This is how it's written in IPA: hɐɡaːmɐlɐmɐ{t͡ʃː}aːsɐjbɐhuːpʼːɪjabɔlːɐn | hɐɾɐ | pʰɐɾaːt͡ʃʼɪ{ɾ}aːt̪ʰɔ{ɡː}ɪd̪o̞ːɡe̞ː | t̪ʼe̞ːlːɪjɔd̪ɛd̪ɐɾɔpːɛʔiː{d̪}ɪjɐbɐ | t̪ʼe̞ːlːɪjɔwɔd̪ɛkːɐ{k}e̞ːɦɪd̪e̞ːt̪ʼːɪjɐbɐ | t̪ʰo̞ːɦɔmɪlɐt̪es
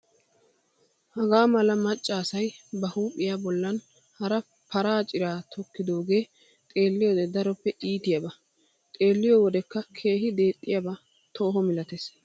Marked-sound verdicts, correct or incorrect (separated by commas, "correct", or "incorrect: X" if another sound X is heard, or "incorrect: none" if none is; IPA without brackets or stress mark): incorrect: t͡ʃʼː, correct, incorrect: kː, incorrect: t̪, incorrect: kʰ